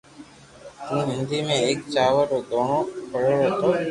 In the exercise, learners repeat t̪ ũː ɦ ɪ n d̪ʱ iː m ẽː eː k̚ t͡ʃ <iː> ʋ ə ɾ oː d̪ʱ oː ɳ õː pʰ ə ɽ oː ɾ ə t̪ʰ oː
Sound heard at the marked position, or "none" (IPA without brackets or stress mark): aː